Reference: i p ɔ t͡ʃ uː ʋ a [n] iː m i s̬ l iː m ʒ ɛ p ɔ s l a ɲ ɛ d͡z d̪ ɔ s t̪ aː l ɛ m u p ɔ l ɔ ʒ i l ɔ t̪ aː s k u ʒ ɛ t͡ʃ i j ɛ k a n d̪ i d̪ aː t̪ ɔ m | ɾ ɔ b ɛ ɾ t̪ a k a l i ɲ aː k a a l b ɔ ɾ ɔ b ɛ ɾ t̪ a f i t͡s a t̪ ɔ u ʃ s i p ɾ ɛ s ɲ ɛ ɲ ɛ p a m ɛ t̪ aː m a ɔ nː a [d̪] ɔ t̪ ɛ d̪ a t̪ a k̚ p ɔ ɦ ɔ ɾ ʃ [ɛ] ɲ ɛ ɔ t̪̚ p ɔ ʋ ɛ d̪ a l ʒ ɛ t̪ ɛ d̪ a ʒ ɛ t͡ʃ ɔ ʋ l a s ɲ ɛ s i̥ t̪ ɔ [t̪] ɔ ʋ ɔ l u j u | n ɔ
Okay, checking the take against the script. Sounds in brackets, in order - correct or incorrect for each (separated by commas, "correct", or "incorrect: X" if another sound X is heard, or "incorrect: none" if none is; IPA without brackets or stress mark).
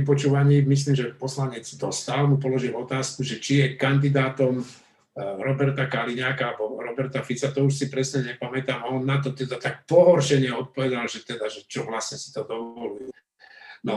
incorrect: ɲ, incorrect: t̪, correct, incorrect: d̪